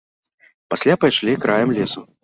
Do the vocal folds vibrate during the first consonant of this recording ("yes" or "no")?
no